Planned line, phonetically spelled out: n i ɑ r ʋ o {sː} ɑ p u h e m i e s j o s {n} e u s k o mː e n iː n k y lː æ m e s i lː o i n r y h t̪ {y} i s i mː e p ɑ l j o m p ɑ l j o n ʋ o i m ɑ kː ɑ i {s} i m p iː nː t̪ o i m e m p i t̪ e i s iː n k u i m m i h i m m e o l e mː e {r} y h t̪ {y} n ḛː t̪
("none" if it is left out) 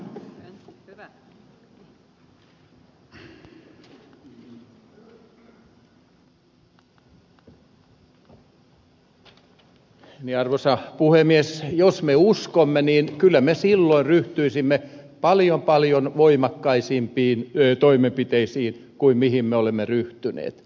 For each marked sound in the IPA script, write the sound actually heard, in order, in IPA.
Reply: s, m, y, s, r, y

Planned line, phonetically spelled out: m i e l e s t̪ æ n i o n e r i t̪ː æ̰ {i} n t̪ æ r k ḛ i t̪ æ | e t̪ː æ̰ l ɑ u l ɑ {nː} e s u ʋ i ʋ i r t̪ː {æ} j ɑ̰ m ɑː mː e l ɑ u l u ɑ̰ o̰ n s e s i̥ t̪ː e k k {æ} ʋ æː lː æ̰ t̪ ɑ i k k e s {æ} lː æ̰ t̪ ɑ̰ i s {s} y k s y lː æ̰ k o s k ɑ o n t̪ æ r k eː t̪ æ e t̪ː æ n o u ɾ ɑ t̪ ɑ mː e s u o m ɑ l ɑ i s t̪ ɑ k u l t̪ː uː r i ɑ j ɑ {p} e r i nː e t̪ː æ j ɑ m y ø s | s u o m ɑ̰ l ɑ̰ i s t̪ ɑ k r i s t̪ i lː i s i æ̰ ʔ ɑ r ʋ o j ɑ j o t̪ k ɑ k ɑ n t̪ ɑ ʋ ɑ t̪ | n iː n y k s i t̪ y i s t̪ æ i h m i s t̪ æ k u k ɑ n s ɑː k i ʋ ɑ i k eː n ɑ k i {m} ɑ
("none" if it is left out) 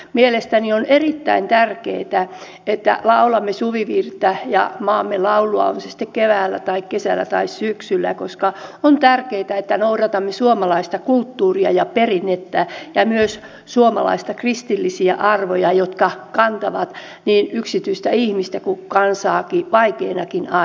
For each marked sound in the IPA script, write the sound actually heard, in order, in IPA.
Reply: i, mː, æ, e, æ, s, p, n

